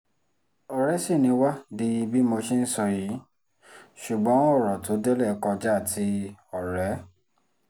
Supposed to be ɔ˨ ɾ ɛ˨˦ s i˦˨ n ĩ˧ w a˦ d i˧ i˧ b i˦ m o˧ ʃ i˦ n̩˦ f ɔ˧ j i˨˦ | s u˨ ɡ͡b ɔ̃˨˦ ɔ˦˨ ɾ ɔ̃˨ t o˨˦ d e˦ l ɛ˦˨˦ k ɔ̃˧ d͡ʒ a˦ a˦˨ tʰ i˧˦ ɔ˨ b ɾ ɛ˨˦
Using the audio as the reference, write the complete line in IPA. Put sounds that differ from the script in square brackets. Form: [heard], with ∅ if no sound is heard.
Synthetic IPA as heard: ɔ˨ ɾ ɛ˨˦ s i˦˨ n ĩ˧ w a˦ d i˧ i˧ b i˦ m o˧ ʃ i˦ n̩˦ [s] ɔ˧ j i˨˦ | [ʃ] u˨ ɡ͡b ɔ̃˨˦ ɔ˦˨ ɾ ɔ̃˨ t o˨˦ d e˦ l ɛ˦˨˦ k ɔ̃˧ d͡ʒ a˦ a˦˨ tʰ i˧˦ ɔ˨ [∅] ɾ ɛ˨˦